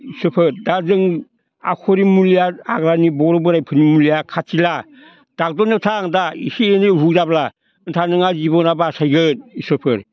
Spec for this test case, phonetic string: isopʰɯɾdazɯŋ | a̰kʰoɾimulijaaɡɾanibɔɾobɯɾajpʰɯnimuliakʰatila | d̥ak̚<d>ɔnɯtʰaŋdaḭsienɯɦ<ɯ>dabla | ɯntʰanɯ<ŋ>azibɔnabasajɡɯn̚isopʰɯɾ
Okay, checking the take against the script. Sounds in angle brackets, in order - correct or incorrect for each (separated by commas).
correct, incorrect, correct